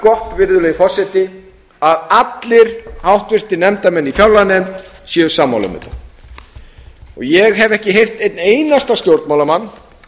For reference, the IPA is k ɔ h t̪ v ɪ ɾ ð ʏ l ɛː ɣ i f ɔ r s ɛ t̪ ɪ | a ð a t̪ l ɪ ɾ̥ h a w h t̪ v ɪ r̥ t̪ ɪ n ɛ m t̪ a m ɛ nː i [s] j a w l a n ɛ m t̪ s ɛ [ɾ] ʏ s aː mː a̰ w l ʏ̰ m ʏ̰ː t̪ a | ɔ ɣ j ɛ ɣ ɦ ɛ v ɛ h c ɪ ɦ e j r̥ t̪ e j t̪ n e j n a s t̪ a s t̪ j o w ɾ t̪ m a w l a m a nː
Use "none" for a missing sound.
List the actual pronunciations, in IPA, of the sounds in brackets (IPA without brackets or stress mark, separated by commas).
f, none